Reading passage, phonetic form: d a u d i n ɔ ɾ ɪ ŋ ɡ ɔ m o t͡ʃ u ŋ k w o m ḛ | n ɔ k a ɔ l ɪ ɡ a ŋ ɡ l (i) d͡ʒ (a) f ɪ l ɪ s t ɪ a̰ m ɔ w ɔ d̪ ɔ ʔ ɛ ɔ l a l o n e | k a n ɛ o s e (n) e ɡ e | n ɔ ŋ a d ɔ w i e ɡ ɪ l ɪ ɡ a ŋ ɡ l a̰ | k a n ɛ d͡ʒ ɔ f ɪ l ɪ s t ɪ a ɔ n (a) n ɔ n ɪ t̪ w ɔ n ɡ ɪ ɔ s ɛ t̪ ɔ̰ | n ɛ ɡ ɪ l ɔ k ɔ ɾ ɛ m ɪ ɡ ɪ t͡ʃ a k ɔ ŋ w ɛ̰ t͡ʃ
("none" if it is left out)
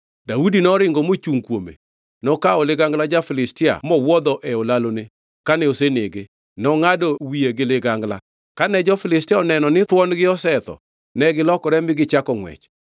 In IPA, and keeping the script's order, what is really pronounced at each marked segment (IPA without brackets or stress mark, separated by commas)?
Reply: a, a, n, ɛ